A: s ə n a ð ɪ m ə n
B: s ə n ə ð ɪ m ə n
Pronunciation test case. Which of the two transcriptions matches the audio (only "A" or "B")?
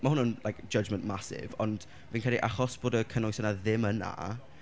A